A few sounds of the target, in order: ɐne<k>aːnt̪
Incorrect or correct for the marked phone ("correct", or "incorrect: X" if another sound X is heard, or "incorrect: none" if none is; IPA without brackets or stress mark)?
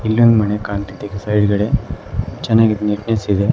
correct